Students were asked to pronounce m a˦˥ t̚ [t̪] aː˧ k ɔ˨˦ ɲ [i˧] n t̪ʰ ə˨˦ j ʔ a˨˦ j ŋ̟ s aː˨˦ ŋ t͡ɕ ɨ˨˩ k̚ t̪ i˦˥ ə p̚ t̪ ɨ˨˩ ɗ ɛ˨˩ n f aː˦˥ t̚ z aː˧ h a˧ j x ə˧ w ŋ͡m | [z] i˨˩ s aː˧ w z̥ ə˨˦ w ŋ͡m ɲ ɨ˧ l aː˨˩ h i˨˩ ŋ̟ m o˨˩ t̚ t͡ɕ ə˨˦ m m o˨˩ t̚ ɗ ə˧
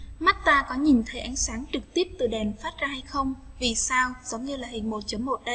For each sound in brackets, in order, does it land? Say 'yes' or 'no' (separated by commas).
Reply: yes, no, no